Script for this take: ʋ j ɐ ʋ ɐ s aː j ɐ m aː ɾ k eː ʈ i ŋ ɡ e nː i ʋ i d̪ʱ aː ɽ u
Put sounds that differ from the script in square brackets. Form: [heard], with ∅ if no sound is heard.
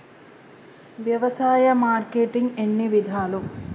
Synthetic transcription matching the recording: ʋ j ɐ ʋ ɐ s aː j ɐ m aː ɾ k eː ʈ i ŋ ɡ e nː i ʋ i d̪ʱ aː [l] u